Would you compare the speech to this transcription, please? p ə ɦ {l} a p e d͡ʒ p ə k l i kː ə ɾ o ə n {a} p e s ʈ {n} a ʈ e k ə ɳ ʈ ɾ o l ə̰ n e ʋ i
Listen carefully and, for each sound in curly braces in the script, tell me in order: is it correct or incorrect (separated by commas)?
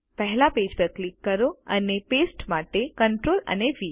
correct, incorrect, incorrect